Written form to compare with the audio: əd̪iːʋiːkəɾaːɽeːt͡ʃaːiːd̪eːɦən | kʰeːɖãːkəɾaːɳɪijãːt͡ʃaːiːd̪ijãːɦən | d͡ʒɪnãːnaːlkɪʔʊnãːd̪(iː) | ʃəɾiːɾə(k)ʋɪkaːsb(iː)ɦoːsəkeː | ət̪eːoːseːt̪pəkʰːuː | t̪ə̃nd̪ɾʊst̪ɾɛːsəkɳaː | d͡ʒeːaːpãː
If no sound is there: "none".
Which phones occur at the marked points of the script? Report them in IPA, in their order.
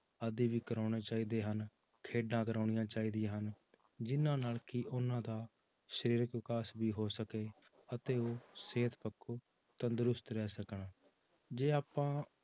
aː, k, iː

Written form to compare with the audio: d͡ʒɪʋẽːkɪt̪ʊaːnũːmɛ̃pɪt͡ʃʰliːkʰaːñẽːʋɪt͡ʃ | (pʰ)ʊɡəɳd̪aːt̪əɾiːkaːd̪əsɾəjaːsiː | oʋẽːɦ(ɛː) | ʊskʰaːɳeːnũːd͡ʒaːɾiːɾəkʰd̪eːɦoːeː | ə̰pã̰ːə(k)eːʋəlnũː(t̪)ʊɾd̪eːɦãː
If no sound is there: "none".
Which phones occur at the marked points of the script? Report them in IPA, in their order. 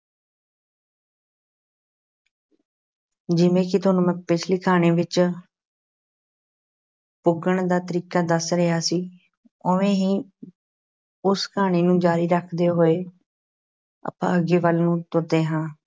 p, iː, ɡ, t̪

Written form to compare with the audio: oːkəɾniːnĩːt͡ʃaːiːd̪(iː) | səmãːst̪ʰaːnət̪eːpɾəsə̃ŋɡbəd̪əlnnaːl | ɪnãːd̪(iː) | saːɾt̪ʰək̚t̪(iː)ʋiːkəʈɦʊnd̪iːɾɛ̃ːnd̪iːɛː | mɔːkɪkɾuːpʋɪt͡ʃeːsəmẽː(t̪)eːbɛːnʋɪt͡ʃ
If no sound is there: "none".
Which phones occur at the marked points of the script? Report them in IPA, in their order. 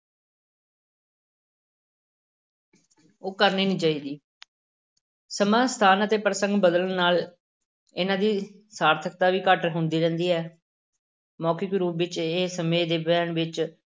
iː, iː, aː, d̪

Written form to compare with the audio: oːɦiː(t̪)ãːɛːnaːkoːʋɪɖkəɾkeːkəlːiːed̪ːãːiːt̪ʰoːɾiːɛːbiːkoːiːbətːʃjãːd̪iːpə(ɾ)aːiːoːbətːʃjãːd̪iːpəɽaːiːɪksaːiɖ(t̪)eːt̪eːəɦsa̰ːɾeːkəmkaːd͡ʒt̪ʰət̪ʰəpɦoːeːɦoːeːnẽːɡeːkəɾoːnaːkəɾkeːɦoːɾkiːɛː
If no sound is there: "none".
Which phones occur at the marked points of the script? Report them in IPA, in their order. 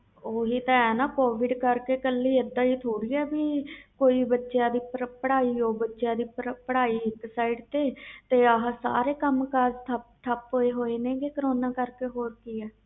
t̪, ɽ, t̪

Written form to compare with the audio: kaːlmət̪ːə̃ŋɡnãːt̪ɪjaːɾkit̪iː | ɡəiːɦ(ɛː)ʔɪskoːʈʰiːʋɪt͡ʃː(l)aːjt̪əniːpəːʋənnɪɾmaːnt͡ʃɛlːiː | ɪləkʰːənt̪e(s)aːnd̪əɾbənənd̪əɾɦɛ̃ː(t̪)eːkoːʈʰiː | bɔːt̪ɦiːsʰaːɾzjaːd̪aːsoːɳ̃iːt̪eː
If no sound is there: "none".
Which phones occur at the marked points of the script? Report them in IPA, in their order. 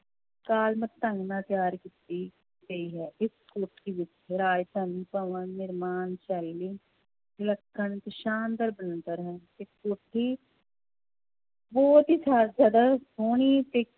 ɛː, ɾ, ʃ, t̪

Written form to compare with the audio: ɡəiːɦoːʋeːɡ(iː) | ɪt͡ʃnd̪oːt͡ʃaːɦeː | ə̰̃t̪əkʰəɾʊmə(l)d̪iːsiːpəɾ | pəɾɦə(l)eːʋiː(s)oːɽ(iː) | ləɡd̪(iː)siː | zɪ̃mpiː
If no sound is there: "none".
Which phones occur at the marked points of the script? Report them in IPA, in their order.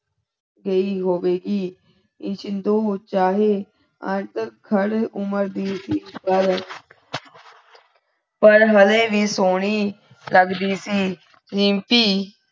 iː, ɾ, l, s, iː, iː

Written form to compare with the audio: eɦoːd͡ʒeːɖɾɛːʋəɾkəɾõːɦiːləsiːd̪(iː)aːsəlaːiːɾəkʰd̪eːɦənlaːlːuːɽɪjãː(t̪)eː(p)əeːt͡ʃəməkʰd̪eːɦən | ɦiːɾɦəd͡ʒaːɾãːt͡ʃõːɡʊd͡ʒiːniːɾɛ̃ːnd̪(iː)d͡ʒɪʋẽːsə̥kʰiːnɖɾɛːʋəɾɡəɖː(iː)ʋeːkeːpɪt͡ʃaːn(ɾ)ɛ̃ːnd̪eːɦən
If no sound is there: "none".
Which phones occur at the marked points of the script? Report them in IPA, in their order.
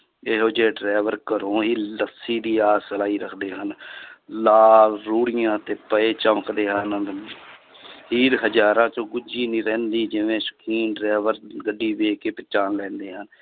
iː, t̪, p, iː, iː, l

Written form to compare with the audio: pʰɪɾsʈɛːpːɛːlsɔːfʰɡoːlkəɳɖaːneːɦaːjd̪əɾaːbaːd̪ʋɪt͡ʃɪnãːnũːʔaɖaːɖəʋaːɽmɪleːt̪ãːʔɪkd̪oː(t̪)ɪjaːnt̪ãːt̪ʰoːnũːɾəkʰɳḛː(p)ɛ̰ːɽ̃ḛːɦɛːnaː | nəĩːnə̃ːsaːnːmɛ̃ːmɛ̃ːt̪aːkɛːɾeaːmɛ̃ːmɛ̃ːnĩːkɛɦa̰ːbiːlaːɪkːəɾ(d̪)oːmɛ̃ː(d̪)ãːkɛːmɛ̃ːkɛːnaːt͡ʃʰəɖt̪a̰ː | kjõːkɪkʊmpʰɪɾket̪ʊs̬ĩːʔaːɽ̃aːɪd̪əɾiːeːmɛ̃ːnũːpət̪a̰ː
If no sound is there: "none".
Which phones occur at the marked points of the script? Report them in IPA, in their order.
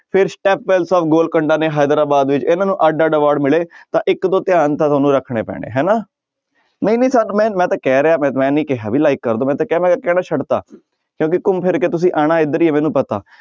t̪, p, d̪, t̪

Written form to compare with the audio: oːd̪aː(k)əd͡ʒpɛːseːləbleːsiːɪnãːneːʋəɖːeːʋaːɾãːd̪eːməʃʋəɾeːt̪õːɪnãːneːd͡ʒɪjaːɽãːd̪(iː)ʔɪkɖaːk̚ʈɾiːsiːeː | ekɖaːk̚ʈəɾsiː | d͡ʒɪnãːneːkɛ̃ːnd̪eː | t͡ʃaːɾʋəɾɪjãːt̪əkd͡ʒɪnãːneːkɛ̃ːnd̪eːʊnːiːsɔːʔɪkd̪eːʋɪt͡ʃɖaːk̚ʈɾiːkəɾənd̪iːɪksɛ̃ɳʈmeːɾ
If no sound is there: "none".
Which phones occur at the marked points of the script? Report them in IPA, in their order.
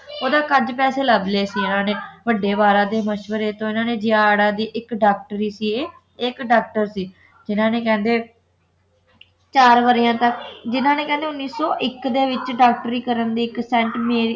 k, iː

